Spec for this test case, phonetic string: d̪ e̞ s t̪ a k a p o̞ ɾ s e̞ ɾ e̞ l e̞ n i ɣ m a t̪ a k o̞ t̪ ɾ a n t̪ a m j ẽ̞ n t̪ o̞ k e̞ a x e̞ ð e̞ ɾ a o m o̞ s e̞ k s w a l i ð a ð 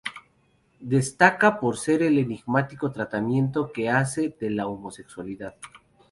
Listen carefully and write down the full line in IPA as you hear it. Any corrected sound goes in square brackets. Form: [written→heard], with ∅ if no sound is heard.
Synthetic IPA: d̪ e̞ s t̪ a k a p o̞ ɾ s e̞ ɾ e̞ l e̞ n i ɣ m a t̪ [a→i] k o̞ t̪ ɾ a [n→∅] t̪ a m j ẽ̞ n t̪ o̞ k e̞ a [x→s] e̞ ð e̞ [ɾ→l] a o m o̞ s e̞ k s w a l i ð a ð

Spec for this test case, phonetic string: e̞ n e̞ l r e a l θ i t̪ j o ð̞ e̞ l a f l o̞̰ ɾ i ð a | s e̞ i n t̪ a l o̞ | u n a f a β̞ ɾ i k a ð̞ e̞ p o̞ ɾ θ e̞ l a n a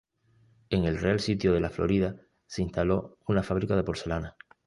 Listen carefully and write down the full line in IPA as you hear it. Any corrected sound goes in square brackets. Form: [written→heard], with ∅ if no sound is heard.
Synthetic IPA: e̞ [n→ŋ] e̞ l r e a l [θ→s] i t̪ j o ð̞ e̞ l a f l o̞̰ ɾ i ð a | s e̞ i n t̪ a l o̞ | u n a f a β̞ ɾ i k a ð̞ e̞ p o̞ ɾ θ e̞ l a n a

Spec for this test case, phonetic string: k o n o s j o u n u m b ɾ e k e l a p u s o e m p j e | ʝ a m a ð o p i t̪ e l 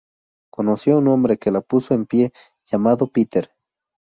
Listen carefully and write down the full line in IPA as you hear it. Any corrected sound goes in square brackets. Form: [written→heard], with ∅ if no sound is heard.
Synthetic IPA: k o n o s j o u n [u→o] m b ɾ e k e l a p u s o e m p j e | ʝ a m a ð o p i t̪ e [l→ɾ]

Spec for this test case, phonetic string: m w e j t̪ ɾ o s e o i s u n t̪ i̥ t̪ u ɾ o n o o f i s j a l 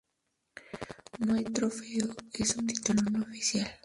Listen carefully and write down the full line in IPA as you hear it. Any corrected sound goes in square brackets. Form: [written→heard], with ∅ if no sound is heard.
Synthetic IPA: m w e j t̪ ɾ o [s→f] e o [i→e] s u n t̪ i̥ t̪ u [ɾ→l] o n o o f i s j a l

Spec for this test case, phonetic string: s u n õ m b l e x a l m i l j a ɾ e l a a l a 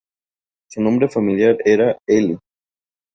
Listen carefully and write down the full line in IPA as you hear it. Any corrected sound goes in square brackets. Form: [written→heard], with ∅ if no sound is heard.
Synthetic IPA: s u n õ m b [l→ɾ] e [x→f] a [l→∅] m i l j a ɾ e [l→ɾ] a [a→e] l [a→i]

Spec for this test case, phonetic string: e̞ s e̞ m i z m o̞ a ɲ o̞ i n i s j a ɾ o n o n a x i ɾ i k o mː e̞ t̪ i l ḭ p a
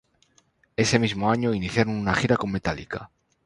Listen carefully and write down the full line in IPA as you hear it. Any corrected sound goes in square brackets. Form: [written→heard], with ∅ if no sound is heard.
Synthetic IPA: e̞ s e̞ m i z m o̞ a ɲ o̞ i n i [s→θ] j a ɾ o n [o→u] n a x i ɾ [i→a] k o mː e̞ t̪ [i→a] l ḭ [p→k] a

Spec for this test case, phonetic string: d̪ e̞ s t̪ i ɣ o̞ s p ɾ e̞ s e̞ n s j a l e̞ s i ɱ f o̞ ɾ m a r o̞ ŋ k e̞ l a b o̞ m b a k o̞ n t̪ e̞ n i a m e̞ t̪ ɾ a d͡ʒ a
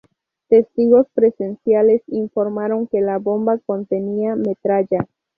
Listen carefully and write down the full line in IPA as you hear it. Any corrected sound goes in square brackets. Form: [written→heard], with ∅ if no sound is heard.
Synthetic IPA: [d̪→t̪] e̞ s t̪ i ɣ o̞ s p ɾ e̞ s e̞ n s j a l e̞ s i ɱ f o̞ ɾ m a [r→ɾ] o̞ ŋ k e̞ l a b o̞ m b a k o̞ n t̪ e̞ n i a m e̞ t̪ ɾ a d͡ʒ a

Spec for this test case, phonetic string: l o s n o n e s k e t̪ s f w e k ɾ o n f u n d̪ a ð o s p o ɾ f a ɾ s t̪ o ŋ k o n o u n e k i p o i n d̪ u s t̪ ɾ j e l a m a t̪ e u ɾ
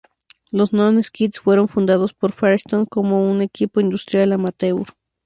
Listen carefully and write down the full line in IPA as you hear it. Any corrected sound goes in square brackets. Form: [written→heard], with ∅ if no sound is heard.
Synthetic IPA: l o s n o n e s k [e→i] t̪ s f w e [k→∅] ɾ o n f u n d̪ a ð o s p o ɾ f a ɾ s t̪ o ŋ k o [n→m] o u n e k i p o i n d̪ u s t̪ ɾ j [e→a] l a m a t̪ e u ɾ

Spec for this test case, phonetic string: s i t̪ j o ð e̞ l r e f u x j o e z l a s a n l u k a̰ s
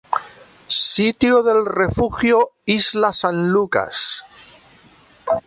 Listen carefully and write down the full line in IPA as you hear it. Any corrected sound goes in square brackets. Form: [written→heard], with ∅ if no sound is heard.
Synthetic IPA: s i t̪ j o ð e̞ l r e f u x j o [e→i] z l a s a n l u k a̰ s

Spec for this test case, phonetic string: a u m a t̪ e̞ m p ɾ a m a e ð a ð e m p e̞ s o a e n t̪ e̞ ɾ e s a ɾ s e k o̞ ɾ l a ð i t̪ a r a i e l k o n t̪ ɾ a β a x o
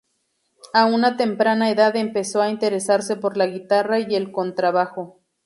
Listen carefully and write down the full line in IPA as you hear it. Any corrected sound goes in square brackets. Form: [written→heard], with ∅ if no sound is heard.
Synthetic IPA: a u [m→n] a t̪ e̞ m p ɾ a [m→n] a e ð a ð e m p e̞ s o a [e→i] n t̪ e̞ ɾ e s a ɾ s e [k→p] o̞ ɾ l a [ð→ɣ] i t̪ a r a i e l k o n t̪ ɾ a β a x o

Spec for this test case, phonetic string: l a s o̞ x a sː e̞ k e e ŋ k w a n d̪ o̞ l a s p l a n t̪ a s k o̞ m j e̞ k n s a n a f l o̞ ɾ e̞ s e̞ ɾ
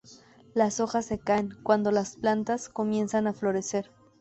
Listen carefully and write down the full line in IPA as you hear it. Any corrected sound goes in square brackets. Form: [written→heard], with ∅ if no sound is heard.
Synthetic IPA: l a s o̞ x a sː e̞ k [e→a] e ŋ k w a n d̪ o̞ l a s p l a n t̪ a s k o̞ m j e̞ [k→∅] n s a n a f l o̞ ɾ e̞ s e̞ ɾ

